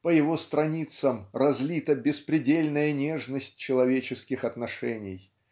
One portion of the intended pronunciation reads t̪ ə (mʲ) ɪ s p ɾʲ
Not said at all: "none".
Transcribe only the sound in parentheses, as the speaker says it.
bʲ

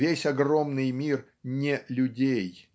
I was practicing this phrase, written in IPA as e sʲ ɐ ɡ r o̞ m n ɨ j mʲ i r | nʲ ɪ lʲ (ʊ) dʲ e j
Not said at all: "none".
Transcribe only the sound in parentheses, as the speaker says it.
ʊ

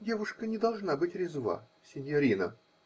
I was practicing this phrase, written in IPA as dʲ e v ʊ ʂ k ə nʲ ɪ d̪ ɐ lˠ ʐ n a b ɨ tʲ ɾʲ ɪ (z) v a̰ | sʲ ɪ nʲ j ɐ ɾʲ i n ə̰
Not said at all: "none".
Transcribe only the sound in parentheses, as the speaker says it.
z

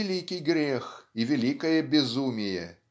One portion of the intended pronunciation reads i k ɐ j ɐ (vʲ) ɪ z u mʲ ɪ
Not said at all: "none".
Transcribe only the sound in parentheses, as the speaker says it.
bʲ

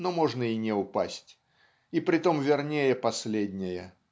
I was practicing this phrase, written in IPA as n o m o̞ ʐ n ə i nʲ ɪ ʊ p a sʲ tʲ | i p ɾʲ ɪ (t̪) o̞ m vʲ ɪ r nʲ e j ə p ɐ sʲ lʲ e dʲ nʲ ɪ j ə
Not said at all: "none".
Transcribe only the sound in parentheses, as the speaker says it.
t̪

